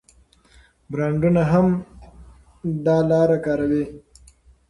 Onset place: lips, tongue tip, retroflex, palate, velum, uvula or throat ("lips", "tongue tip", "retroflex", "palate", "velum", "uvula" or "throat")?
lips